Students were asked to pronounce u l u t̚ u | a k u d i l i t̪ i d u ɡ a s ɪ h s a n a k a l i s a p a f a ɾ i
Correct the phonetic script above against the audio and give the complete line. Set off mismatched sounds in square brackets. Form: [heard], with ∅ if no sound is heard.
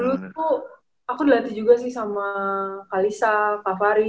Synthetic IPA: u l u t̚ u | a k u d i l [a] t̪ i [d͡ʒ] u ɡ a s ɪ h s a [m] a k a l i s a [k] a f a ɾ i